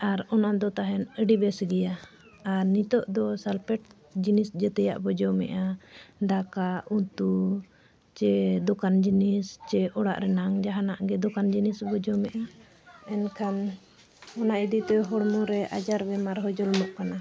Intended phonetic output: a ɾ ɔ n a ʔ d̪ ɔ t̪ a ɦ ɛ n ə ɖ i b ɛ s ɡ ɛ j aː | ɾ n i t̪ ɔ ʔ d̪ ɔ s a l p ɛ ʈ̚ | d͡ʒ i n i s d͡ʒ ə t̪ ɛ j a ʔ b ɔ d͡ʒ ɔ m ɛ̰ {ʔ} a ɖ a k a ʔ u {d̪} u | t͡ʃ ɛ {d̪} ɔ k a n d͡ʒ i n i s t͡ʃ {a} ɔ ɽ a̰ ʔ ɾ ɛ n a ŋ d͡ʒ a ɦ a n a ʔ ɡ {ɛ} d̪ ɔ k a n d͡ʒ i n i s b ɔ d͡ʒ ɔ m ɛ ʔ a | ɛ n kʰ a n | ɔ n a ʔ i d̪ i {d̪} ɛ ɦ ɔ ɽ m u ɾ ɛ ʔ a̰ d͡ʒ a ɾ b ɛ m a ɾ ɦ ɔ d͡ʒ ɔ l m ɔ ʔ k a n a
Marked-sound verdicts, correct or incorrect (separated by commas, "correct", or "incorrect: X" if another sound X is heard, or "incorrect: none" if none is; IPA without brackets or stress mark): correct, incorrect: t̪, correct, incorrect: ɛ, correct, incorrect: t̪